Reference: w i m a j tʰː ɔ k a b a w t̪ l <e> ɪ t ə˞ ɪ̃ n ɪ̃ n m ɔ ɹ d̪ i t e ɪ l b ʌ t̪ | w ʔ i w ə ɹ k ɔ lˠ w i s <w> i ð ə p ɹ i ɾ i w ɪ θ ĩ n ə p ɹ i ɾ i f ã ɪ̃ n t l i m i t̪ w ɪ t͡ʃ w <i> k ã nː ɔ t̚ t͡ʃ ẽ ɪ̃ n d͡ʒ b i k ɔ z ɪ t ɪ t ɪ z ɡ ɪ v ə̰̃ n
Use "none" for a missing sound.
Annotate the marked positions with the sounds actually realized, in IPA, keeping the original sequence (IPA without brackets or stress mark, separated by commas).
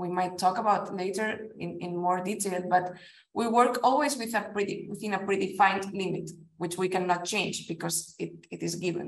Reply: e, w, i